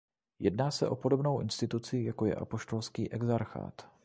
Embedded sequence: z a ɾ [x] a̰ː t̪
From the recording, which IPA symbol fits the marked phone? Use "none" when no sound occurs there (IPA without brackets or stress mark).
x